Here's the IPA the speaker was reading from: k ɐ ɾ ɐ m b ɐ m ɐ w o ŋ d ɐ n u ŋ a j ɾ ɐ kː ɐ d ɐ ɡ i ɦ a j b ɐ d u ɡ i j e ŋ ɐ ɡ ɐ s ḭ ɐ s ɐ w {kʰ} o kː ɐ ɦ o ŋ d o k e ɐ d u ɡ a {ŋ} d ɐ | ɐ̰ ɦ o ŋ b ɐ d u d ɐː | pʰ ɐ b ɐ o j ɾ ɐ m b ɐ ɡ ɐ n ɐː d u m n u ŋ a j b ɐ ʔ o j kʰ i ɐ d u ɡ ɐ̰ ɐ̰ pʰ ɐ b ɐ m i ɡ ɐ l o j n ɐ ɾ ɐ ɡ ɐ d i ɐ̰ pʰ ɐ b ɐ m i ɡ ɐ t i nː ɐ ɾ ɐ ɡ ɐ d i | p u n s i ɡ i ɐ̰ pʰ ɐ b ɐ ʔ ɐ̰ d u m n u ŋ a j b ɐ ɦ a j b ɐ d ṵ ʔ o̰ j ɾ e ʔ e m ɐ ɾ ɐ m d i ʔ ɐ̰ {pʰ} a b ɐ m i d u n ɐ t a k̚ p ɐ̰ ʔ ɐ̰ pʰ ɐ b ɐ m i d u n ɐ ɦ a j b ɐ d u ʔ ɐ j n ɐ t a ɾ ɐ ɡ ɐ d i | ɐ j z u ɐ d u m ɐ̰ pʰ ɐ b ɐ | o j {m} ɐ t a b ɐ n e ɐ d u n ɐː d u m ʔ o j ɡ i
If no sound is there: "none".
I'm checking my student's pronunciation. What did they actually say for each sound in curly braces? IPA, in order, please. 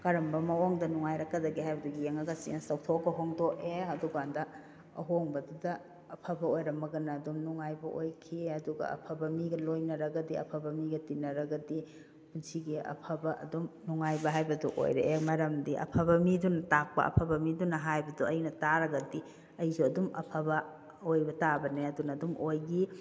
tʰ, n, pʰ, b

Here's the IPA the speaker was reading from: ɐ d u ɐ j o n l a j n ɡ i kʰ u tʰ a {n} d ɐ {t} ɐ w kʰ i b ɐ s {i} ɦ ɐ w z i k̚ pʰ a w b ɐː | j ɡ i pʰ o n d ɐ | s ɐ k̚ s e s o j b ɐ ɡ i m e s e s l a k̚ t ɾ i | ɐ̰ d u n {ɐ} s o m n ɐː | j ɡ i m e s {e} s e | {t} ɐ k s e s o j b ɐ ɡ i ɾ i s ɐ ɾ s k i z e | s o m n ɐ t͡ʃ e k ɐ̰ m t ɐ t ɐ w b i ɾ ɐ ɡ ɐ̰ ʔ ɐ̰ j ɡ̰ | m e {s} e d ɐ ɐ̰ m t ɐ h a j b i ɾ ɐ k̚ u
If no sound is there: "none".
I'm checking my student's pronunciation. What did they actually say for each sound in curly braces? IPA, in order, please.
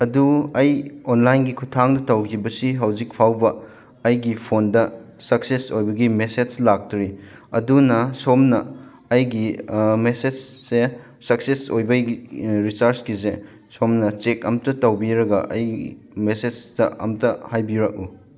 ŋ, t, i, ɐ, e, s, s

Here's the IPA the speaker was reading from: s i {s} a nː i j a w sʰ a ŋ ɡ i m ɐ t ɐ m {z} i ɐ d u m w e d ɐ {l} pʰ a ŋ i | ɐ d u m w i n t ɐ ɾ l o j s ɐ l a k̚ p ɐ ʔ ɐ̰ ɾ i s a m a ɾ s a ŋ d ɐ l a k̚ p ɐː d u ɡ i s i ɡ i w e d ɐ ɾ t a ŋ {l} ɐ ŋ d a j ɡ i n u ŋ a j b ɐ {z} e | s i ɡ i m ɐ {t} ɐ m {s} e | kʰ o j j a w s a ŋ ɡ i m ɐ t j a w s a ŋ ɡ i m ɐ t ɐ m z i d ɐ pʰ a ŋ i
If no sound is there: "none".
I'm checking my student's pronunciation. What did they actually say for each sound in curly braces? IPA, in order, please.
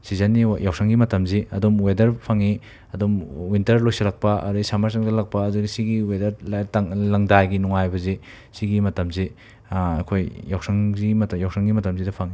z, z, ɾ, l, z, t, z

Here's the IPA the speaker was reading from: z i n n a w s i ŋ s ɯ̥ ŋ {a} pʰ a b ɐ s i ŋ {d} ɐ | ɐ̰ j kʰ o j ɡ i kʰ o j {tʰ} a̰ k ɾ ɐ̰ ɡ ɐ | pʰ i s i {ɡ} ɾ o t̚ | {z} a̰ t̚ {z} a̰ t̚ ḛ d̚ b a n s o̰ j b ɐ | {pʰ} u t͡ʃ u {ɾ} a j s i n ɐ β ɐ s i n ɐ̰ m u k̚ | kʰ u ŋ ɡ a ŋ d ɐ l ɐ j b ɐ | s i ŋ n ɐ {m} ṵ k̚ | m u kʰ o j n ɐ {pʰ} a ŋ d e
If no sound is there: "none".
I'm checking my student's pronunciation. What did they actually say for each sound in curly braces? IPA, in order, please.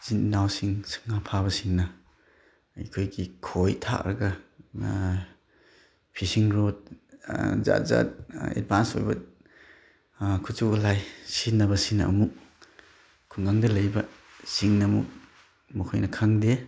a, n, tʰ, ŋ, z, z, kʰ, l, m, kʰ

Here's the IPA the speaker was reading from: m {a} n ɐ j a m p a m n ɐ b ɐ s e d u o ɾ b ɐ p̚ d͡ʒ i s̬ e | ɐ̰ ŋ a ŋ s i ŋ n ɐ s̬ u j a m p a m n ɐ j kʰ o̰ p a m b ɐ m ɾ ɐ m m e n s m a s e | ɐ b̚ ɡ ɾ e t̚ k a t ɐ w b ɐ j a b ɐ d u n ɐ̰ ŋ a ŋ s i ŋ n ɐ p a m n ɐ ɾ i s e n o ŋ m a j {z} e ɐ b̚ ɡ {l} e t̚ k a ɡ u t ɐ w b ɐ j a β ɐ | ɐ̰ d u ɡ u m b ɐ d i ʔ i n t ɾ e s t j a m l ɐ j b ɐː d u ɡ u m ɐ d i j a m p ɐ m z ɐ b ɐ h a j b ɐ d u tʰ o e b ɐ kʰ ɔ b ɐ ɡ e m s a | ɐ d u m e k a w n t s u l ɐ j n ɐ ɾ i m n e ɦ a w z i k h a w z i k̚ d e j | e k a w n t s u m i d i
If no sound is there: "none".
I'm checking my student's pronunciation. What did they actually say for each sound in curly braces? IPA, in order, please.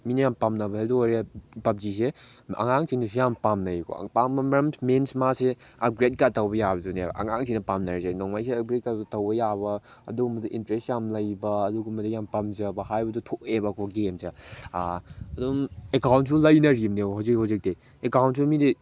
i, s, ɾ

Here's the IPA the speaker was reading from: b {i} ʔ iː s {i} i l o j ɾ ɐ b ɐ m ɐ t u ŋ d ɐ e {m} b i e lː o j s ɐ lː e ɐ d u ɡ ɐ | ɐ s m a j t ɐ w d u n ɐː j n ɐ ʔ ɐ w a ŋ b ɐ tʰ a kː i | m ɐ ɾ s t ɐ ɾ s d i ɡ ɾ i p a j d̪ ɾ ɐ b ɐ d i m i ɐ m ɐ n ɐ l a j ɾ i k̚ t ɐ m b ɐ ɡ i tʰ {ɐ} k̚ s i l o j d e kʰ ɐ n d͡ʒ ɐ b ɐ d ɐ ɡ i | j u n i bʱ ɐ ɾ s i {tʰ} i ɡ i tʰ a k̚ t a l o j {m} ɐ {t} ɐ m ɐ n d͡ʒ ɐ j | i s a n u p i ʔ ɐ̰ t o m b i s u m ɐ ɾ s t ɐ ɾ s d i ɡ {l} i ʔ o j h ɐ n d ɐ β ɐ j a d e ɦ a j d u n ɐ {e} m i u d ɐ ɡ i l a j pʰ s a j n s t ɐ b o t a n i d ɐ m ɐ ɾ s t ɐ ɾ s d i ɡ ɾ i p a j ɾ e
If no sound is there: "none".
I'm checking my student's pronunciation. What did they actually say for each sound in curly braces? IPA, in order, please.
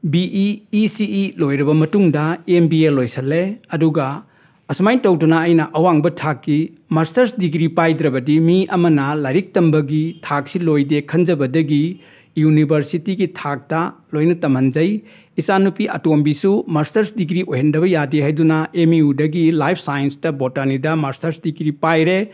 i, i, m, a, t, n, t, ɾ, e

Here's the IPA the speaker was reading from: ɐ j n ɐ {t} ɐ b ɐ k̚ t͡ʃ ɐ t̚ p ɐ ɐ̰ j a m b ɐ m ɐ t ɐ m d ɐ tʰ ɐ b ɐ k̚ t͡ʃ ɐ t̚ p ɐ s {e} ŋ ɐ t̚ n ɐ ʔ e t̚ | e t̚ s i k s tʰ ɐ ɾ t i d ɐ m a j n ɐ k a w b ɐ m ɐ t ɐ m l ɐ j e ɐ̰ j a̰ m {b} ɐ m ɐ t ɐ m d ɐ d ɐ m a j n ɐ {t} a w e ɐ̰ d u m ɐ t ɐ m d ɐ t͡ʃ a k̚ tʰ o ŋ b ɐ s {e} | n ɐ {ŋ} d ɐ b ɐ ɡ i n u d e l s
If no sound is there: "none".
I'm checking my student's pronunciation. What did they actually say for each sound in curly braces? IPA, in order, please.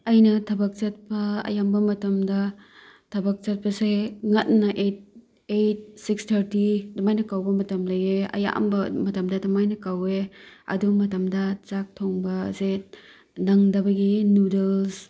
tʰ, e, b, k, e, ŋ

